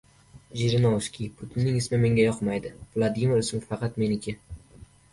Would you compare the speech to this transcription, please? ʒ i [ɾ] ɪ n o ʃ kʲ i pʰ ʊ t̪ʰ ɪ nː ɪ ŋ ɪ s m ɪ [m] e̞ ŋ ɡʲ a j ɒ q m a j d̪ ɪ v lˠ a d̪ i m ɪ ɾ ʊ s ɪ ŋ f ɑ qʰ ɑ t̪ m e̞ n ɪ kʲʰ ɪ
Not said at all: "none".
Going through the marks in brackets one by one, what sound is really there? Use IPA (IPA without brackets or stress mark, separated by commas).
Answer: ɾ, m